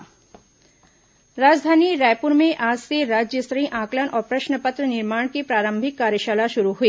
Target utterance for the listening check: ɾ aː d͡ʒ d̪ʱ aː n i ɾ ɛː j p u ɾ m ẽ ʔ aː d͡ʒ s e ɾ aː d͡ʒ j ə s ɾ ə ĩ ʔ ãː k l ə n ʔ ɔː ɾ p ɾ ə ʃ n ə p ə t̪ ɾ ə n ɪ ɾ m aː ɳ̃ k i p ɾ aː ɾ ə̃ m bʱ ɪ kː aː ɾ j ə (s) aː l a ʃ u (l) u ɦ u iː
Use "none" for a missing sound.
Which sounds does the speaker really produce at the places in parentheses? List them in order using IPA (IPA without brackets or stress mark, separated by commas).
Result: ʃ, ɾ